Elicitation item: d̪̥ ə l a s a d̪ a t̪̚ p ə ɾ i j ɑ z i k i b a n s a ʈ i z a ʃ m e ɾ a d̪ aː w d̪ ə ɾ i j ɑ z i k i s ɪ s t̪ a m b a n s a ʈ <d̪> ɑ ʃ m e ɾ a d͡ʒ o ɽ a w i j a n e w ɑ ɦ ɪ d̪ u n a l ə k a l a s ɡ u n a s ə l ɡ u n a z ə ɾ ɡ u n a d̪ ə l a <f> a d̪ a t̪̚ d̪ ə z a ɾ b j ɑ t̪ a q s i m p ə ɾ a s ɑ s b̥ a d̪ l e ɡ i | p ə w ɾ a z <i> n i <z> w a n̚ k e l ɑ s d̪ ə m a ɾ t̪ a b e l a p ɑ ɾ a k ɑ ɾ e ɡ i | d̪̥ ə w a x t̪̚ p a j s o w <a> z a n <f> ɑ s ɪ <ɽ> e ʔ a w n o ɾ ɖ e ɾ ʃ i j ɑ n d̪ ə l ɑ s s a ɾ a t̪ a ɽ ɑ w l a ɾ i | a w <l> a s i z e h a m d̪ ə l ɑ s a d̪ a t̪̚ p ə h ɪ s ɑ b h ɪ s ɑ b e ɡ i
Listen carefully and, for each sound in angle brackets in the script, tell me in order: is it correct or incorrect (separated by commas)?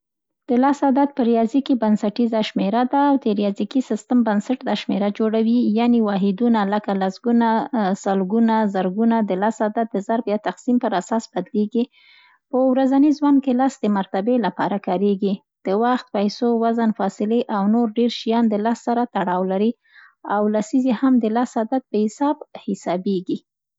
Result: correct, incorrect, incorrect, correct, correct, correct, incorrect, correct